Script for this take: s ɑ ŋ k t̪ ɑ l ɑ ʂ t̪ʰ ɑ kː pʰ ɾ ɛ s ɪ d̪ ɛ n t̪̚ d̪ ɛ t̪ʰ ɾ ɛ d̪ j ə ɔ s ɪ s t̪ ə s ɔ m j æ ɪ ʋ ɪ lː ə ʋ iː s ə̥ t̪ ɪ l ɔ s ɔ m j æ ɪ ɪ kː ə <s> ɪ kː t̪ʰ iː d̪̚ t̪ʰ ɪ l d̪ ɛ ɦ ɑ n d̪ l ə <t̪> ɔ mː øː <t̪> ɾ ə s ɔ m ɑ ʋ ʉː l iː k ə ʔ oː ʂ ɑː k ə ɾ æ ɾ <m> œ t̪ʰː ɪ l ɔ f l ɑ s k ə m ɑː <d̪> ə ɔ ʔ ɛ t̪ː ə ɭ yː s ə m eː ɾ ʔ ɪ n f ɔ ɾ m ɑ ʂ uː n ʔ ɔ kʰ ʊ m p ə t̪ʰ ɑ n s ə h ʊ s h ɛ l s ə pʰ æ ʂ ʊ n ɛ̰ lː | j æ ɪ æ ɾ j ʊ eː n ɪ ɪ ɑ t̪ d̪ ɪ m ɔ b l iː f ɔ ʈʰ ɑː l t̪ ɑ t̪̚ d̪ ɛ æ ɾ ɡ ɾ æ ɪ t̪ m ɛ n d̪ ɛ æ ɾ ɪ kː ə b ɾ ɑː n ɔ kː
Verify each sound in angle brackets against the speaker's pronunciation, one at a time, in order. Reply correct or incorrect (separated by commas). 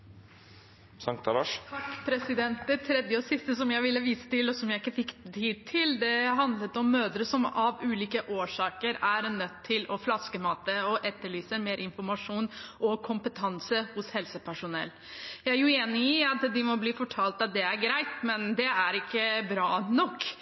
incorrect, correct, incorrect, incorrect, incorrect